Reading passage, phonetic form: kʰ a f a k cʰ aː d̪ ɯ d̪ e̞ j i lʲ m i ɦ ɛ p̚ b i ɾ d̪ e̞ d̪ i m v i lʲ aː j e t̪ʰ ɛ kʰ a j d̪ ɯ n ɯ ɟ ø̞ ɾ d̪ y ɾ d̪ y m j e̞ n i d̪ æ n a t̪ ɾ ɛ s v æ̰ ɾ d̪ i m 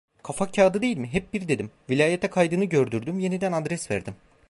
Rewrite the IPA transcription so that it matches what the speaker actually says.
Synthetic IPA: kʰ a f a k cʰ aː d̪ ɯ d̪ e̞ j i lʲ m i ɦ ɛ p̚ b i ɾ d̪ e̞ d̪ i m v i lʲ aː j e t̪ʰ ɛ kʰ a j d̪ ɯ n ɯ ɟ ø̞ ɾ d̪ y ɾ d̪ y m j e̞ n i d̪ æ n a d̪ ɾ ɛ s v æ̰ ɾ d̪ i m